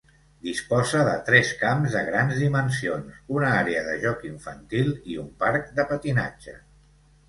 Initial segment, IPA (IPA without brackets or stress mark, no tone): d̪